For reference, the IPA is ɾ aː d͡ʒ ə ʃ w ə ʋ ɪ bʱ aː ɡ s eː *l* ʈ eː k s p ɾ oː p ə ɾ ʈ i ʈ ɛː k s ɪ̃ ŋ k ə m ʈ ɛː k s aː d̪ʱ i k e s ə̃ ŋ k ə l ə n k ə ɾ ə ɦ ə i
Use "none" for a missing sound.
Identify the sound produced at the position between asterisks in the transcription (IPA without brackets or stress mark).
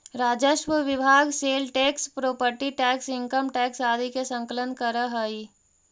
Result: l